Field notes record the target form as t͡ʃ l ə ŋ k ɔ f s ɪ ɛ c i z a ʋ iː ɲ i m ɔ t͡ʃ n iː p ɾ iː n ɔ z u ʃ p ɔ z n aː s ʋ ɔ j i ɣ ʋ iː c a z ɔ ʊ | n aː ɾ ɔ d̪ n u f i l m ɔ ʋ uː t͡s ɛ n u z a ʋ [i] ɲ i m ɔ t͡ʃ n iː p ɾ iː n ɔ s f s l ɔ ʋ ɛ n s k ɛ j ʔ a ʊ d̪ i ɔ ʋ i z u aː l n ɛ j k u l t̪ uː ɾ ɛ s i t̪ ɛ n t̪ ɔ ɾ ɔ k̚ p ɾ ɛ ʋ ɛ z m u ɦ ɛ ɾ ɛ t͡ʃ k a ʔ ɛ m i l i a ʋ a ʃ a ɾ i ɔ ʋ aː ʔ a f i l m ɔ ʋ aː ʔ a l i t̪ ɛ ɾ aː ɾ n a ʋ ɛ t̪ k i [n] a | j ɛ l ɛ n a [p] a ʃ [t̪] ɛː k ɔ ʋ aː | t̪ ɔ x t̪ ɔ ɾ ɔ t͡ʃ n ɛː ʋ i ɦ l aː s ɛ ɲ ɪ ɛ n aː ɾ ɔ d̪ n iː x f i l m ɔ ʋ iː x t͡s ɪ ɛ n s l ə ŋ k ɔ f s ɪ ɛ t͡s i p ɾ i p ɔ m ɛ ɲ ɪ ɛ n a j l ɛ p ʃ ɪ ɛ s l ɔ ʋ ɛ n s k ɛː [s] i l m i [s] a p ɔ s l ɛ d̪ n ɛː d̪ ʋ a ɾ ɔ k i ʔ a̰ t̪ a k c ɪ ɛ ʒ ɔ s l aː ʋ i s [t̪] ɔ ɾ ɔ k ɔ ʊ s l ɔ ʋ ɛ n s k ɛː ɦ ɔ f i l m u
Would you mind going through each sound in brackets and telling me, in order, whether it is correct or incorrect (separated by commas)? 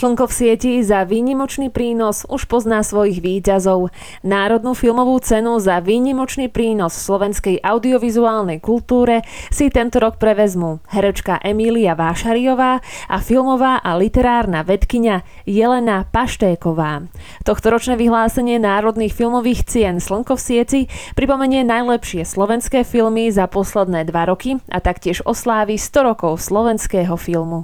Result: incorrect, incorrect, correct, correct, incorrect, incorrect, correct